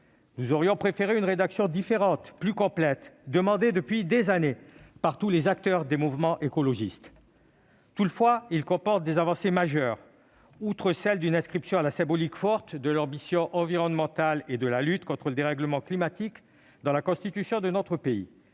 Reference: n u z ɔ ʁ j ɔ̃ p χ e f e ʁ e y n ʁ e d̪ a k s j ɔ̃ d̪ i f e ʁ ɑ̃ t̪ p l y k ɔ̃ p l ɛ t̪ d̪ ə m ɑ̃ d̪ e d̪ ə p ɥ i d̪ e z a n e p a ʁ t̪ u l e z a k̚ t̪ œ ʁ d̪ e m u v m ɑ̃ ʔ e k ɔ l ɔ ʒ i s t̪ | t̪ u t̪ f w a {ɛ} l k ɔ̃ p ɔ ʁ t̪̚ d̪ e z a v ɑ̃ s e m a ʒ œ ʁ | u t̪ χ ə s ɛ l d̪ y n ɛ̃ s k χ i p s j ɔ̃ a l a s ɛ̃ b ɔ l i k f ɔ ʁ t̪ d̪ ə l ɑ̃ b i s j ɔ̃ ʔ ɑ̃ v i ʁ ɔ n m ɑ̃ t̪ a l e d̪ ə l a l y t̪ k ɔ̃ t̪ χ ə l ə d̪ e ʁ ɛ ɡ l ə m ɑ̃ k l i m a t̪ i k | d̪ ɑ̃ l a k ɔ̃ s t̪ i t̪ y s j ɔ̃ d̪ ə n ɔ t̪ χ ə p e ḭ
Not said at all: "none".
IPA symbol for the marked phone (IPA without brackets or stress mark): i